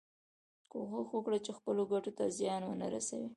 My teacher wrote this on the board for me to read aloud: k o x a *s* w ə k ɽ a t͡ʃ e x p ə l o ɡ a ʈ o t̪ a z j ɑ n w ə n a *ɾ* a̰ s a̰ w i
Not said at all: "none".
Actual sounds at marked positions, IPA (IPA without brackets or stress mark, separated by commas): x, ɾ